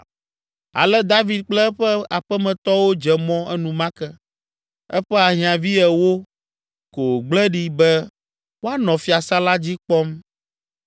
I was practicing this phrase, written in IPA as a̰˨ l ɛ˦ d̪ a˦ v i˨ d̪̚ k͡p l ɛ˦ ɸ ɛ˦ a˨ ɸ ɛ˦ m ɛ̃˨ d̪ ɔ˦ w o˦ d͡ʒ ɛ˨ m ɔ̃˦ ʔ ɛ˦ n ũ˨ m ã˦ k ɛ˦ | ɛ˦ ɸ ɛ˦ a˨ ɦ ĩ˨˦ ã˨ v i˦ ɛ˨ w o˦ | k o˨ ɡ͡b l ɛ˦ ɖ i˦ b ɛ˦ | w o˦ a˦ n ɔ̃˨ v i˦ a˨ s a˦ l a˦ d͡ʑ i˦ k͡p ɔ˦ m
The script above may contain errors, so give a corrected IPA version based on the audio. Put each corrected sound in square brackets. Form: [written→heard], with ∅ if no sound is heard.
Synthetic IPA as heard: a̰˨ l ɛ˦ d̪ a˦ v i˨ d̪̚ k͡p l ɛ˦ ɸ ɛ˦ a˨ ɸ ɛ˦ m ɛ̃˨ [d̪→t̪] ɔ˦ w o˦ d͡ʒ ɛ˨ m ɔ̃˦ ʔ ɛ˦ n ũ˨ m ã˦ k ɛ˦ | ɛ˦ ɸ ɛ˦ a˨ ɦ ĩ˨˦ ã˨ v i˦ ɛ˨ w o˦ | k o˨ ɡ͡b l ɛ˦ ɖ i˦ b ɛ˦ | w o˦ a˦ n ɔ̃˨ [v→f] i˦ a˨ s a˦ l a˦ d͡ʑ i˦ k͡p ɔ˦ m

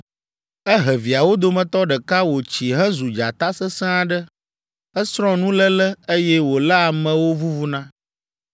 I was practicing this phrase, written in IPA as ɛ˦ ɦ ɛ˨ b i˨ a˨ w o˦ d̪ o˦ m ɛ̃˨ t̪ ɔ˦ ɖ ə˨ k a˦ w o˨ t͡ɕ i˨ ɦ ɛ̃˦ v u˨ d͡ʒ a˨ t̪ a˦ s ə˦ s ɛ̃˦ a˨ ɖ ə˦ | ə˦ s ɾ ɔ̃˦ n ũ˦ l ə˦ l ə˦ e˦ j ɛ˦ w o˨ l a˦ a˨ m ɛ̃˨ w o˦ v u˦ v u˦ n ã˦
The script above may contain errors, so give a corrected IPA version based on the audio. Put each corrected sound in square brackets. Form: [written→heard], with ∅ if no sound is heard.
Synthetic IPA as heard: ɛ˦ ɦ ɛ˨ [b→v] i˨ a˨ w o˦ d̪ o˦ m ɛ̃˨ t̪ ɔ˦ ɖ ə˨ k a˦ w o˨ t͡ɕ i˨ ɦ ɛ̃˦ [v→z] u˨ d͡ʒ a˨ t̪ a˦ s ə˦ s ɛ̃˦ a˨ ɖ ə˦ | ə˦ s ɾ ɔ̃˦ n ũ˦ l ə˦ l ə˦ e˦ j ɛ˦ w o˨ l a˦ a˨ m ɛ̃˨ w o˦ v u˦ v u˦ n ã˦

